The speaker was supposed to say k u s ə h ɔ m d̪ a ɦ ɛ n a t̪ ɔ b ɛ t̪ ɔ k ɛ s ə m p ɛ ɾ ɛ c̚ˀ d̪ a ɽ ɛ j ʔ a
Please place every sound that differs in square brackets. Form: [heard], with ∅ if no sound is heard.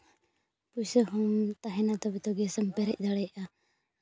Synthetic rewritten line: [p] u s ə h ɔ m [t̪] a ɦ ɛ n a t̪ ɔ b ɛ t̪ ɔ [ɡ] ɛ s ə m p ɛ ɾ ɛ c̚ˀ d̪ a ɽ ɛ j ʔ a